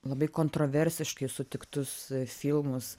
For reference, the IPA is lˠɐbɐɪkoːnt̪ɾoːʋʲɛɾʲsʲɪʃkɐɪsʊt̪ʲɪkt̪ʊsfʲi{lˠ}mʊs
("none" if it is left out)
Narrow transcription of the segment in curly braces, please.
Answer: lˠ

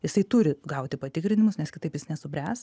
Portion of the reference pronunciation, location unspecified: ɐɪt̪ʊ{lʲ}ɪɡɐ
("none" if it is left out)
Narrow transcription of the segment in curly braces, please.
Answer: ɾʲ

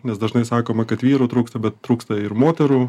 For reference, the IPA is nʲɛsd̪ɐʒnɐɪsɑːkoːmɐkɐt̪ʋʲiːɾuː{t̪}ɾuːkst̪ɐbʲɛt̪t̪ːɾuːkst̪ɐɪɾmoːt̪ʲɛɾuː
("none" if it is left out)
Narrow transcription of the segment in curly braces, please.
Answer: t̪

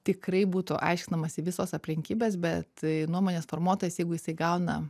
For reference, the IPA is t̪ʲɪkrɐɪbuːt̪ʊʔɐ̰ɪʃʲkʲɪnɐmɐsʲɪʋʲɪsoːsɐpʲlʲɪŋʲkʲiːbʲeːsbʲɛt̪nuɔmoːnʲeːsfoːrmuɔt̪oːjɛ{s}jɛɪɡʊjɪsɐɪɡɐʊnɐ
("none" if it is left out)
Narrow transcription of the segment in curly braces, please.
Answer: s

